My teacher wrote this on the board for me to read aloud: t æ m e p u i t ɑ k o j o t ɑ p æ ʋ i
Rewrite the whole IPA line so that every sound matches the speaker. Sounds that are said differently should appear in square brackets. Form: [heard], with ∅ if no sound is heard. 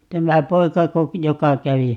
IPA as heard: t æ m [æ] p [o] i [k] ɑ k o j o [k] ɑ [k] æ ʋ i